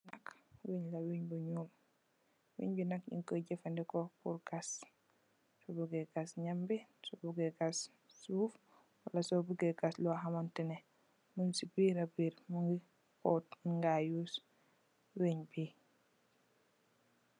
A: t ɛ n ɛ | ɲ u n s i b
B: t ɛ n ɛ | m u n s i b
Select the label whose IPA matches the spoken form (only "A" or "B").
B